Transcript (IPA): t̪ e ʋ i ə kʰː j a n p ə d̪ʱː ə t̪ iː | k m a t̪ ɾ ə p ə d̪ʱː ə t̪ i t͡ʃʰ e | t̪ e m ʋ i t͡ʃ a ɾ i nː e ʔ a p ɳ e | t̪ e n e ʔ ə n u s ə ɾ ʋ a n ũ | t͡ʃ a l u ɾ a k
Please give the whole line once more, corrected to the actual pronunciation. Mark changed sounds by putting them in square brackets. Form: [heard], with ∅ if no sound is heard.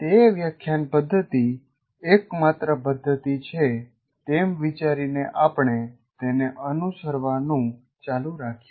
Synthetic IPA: t̪ e ʋ [j] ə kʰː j a n p ə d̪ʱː ə t̪ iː | k m a t̪ ɾ ə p ə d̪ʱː ə t̪ i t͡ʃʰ e | t̪ e m ʋ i t͡ʃ a ɾ i [n] e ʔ a p ɳ e | t̪ e n e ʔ ə n u s ə ɾ ʋ a n ũ | t͡ʃ a l u ɾ a [kʰ]